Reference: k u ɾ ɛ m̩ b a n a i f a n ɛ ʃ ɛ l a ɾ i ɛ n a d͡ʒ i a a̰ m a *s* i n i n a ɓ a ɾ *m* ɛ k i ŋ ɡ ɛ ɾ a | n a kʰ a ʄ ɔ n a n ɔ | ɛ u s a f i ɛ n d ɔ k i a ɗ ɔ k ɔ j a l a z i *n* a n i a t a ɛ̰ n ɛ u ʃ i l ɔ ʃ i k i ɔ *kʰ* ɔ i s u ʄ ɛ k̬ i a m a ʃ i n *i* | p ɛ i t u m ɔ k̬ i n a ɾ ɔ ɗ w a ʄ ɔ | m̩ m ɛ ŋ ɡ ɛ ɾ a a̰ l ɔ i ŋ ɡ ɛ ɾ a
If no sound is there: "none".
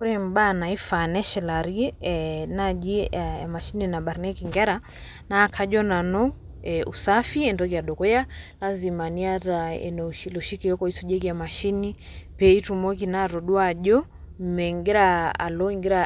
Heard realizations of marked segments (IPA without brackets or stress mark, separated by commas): ʃ, n, m, k, i